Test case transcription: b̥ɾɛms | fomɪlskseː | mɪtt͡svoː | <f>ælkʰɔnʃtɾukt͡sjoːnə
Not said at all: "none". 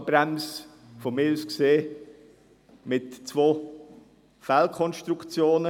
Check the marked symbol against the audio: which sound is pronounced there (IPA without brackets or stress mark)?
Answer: f